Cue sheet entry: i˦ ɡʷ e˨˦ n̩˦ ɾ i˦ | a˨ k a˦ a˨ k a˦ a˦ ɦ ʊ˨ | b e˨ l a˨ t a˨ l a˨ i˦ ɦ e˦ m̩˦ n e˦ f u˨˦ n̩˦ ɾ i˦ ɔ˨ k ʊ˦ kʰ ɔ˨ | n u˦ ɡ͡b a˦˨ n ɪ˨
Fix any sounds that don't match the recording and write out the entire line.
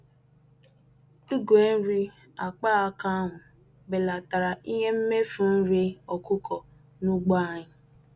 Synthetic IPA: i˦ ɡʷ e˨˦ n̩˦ ɾ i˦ | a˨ k͡p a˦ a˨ k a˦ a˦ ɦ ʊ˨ | b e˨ l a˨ t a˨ ɾ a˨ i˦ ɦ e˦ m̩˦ m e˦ f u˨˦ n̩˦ ɾ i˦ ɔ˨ k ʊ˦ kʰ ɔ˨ | n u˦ ɡ͡b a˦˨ ɲ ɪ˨